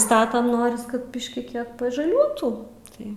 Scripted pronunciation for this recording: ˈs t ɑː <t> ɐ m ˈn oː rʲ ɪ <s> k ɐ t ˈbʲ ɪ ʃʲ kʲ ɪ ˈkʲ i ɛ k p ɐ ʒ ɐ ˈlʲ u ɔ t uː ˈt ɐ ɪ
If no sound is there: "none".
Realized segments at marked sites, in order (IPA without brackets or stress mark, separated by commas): t, s